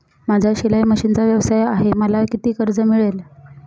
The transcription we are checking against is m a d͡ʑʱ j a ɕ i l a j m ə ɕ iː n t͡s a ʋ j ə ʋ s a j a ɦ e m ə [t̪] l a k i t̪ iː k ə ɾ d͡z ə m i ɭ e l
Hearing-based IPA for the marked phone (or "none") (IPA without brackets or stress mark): none